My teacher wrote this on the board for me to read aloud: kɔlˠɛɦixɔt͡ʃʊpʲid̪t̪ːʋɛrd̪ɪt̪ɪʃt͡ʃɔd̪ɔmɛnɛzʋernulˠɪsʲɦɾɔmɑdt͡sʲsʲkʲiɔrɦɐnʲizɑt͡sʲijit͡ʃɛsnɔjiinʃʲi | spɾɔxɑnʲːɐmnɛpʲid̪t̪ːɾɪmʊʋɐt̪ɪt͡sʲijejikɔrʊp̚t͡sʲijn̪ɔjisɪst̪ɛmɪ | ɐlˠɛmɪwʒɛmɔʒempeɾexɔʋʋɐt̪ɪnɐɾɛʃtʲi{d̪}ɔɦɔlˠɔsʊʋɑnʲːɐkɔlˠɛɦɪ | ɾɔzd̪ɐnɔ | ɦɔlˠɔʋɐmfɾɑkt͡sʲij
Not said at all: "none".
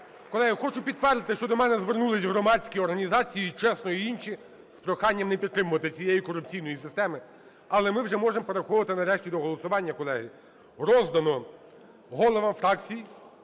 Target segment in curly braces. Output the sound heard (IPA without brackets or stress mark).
d̪